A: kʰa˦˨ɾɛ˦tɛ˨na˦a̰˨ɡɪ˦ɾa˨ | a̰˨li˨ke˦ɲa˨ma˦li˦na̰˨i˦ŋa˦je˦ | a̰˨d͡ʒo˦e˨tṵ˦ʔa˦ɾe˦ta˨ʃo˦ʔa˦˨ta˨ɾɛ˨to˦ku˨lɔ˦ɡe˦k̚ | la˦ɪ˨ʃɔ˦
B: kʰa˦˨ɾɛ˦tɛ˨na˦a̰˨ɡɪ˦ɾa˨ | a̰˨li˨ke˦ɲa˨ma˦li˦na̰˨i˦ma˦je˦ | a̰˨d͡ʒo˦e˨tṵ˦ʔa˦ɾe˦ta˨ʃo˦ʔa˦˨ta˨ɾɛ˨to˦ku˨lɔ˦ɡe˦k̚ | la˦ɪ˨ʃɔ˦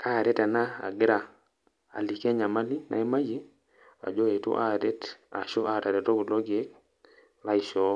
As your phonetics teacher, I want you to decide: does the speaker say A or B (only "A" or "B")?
B